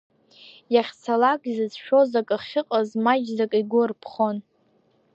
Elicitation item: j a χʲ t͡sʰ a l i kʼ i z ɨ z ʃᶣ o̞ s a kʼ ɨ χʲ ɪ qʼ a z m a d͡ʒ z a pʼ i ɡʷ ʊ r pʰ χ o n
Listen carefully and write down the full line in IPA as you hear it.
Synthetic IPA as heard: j a χʲ t͡sʰ a l a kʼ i z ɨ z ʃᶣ o̞ z a kʼ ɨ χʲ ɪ qʼ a z m a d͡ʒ z a kʼ i ɡʷ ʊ r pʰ χ o n